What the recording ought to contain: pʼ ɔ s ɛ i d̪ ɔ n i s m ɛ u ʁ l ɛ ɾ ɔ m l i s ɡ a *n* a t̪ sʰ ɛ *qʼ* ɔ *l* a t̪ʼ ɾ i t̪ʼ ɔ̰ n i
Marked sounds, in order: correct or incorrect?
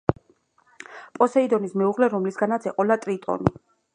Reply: correct, correct, correct

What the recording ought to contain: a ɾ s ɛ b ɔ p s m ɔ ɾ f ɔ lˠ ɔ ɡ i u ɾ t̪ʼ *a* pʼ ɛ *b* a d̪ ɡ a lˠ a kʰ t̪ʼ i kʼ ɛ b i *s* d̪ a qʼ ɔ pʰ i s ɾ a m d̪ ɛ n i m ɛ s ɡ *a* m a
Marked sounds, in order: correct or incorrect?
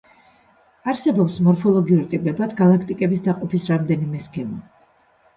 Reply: incorrect, correct, correct, incorrect

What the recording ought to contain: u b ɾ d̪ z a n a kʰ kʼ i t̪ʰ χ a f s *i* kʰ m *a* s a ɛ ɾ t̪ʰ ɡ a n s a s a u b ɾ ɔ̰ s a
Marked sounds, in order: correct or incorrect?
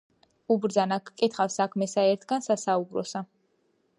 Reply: incorrect, incorrect

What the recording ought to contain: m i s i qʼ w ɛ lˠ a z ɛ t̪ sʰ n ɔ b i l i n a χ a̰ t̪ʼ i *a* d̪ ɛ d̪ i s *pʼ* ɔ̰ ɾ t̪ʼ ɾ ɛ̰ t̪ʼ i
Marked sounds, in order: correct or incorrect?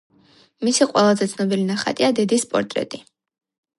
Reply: correct, correct

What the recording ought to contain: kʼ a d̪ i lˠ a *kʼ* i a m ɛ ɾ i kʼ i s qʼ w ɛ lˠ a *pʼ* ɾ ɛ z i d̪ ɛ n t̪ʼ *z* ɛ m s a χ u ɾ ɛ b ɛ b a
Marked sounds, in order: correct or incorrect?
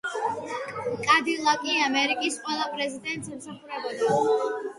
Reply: correct, correct, incorrect

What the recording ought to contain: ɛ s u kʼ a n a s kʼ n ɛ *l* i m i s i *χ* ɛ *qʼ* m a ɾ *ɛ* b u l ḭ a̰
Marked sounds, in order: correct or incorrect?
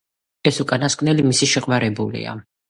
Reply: correct, incorrect, correct, correct

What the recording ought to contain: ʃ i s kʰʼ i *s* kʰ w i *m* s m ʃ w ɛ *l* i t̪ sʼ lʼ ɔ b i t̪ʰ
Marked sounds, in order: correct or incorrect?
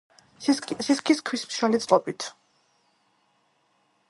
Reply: correct, incorrect, correct

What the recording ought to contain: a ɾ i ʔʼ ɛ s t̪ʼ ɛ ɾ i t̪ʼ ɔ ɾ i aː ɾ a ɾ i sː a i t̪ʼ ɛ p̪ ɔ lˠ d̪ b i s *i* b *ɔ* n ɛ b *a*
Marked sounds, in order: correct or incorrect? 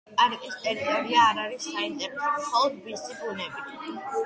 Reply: correct, incorrect, incorrect

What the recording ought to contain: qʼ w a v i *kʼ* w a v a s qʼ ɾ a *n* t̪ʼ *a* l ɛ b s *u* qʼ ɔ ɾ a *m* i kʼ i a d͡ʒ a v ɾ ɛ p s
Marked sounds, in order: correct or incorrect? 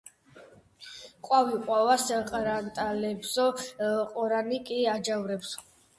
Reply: incorrect, correct, correct, incorrect, incorrect

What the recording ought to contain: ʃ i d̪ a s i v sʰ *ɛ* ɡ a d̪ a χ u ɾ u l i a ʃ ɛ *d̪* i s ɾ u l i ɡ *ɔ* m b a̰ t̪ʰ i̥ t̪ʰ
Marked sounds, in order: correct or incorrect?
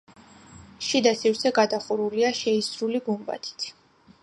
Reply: correct, incorrect, incorrect

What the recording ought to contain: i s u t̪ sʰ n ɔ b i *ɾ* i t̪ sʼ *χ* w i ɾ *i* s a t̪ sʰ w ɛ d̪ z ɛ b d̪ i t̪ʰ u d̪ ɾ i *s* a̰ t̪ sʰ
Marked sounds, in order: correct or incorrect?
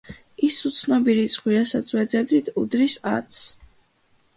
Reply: correct, correct, incorrect, correct

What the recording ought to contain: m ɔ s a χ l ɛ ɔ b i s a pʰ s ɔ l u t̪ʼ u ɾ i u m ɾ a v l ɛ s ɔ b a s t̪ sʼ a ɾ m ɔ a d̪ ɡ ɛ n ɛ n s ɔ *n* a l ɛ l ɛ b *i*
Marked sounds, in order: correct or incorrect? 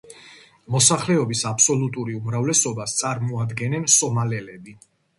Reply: incorrect, correct

